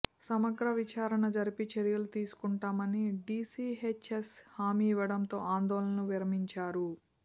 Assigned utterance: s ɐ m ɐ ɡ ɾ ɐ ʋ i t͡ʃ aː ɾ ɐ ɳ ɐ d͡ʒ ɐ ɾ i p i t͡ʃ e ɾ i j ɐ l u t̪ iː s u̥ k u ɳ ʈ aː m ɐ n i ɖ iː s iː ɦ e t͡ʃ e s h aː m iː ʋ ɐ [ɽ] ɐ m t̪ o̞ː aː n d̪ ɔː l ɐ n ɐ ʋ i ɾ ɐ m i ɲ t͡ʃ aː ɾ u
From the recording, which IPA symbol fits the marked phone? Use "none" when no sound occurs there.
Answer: ɽ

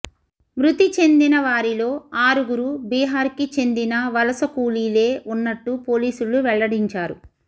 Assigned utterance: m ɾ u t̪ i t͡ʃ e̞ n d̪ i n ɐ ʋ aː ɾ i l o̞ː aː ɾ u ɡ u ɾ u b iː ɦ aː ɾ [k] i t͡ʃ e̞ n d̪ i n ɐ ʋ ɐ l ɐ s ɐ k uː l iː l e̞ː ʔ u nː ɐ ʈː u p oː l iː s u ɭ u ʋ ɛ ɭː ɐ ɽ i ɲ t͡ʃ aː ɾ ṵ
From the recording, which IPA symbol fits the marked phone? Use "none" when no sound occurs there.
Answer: k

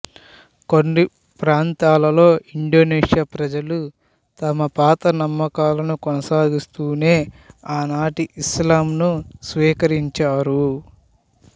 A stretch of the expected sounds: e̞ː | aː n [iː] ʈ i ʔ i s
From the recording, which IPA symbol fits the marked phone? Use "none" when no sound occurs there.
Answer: aː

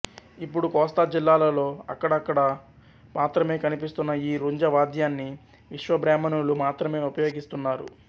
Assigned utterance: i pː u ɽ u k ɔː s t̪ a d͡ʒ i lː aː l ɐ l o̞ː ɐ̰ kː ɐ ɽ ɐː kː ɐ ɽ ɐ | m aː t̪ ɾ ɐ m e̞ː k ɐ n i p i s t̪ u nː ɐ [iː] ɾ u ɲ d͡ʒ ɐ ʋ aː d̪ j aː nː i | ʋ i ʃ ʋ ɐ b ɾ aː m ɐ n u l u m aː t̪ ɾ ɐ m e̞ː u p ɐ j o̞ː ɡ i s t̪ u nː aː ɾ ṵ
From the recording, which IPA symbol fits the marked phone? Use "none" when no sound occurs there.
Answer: iː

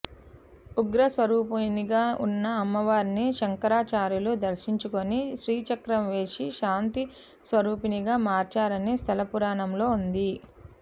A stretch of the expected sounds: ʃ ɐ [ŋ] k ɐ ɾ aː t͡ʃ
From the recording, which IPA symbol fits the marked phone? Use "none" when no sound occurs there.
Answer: ŋ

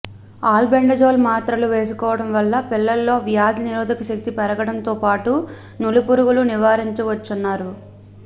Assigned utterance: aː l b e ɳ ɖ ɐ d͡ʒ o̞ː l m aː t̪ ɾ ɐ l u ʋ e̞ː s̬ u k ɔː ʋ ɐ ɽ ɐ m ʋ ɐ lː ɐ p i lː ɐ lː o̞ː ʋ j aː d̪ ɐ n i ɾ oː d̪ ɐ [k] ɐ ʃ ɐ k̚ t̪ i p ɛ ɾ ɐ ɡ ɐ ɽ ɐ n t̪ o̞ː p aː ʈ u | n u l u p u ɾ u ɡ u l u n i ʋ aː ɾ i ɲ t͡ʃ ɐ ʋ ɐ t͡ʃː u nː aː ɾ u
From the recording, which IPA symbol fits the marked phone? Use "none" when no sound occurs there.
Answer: k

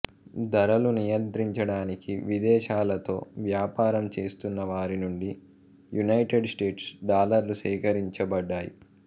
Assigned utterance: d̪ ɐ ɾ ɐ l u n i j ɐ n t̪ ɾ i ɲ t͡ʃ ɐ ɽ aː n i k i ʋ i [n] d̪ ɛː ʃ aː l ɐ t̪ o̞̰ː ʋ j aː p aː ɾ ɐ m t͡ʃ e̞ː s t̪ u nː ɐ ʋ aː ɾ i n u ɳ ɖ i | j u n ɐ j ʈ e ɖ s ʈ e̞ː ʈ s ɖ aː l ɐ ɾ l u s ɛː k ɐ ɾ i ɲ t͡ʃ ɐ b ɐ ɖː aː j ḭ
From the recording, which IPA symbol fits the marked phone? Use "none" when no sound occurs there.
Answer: none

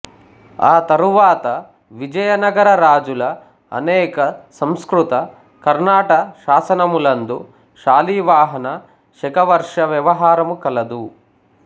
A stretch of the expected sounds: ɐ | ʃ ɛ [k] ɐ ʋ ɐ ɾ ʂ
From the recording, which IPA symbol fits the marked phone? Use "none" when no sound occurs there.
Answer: k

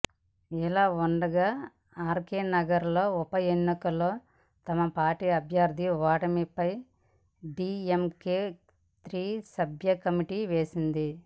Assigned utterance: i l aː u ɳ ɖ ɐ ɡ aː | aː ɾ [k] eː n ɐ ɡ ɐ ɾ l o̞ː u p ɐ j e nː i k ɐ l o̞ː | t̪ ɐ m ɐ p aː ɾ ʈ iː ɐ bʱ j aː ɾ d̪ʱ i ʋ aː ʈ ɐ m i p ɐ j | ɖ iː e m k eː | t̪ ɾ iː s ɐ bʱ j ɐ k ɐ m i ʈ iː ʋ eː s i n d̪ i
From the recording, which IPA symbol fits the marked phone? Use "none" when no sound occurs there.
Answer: k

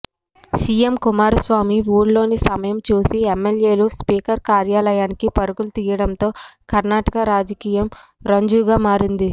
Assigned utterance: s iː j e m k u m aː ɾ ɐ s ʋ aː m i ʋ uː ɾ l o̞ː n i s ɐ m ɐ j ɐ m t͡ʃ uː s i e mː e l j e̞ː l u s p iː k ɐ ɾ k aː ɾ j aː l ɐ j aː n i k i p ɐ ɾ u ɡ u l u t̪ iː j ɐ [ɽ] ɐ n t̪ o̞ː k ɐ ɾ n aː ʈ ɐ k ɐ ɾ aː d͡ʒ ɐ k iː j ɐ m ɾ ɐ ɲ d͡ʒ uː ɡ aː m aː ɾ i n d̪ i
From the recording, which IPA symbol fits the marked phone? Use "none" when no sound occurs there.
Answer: ɽ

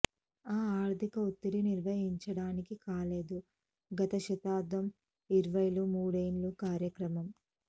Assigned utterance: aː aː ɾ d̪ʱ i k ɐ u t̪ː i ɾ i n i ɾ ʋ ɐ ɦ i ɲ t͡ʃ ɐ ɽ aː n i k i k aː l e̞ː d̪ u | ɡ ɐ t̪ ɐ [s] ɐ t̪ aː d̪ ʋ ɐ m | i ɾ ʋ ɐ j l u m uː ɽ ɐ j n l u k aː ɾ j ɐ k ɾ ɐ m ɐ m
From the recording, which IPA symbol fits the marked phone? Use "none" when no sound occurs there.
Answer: ʃ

